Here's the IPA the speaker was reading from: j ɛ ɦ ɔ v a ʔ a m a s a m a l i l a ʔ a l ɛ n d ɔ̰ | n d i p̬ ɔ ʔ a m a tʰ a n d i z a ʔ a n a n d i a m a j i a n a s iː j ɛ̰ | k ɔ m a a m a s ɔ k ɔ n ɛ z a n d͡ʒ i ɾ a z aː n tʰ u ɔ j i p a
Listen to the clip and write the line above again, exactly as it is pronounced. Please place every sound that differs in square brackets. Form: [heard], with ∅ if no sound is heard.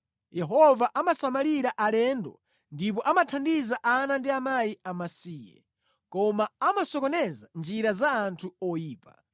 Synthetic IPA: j ɛ ɦ ɔ v a ʔ a m a s a m a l i [ɾ] a ʔ a l ɛ n d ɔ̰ | n d i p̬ ɔ ʔ a m a tʰ a n d i z a ʔ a n a n d i a m a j i a [m] a s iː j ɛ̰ | k ɔ m a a m a s ɔ k ɔ n ɛ z a n d͡ʒ i ɾ a z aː n tʰ u ɔ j [iː] p a

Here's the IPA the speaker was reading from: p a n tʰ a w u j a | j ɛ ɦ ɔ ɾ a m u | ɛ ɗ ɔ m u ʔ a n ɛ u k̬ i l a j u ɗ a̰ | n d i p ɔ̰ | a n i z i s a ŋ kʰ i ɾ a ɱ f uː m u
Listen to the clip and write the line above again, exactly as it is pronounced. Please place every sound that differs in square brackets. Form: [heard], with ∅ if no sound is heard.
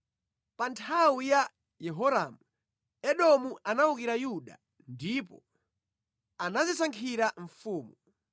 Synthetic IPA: p a n tʰ a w u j a | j ɛ ɦ ɔ ɾ a m u | ɛ ɗ ɔ m u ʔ a n [a] u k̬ i [ɾ] a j u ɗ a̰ | n d i p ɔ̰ | a n [a] z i s a ŋ kʰ i ɾ a ɱ f uː m u

